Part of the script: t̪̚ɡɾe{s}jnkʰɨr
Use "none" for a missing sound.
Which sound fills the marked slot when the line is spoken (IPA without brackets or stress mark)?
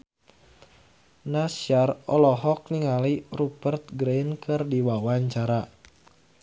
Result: none